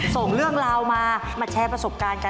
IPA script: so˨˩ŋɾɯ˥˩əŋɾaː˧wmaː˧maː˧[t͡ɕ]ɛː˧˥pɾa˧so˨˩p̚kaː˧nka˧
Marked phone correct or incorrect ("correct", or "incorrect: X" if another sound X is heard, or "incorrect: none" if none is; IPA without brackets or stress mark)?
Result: incorrect: t͡ɕʰ